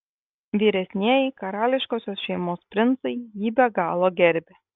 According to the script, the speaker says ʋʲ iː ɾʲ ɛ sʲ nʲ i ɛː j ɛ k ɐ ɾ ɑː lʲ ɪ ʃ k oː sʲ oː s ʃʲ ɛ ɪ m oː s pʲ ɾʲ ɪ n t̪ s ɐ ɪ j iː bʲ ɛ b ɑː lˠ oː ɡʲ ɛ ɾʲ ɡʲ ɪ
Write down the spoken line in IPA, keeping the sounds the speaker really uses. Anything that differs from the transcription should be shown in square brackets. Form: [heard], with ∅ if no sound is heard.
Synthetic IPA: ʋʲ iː ɾʲ ɛ sʲ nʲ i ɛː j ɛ k ɐ ɾ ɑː lʲ ɪ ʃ k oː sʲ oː s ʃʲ ɛ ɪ m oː s pʲ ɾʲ ɪ n t̪ s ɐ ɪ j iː bʲ ɛ [ɡ] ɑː lˠ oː ɡʲ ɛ ɾʲ [bʲ] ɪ